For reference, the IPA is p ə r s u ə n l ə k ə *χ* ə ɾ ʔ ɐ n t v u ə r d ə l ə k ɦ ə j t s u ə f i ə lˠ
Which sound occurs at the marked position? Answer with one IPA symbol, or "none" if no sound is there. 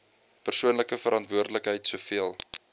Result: f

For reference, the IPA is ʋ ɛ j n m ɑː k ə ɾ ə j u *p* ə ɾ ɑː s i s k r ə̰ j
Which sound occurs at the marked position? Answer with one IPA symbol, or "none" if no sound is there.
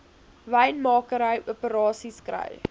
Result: p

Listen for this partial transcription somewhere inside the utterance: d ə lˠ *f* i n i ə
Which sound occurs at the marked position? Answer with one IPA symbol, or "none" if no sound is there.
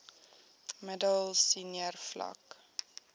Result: s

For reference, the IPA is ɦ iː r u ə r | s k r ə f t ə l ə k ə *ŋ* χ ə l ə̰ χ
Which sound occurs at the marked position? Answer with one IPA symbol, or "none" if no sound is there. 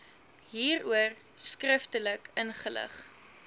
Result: n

